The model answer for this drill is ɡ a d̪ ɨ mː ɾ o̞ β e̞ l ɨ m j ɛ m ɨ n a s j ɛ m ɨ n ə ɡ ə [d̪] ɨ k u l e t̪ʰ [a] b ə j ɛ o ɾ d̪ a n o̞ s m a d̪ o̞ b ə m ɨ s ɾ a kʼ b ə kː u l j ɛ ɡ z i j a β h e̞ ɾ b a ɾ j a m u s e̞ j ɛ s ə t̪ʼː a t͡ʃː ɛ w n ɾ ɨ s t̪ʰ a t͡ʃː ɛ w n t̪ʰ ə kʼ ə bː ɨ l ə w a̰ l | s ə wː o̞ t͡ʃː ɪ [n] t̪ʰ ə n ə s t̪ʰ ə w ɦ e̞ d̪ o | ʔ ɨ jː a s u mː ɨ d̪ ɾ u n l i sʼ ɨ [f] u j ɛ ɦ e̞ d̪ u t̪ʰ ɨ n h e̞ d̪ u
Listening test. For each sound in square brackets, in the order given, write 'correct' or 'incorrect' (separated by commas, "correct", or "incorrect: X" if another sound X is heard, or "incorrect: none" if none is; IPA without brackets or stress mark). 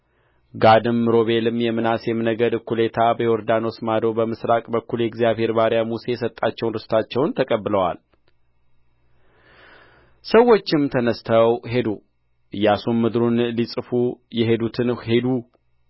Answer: correct, correct, incorrect: m, correct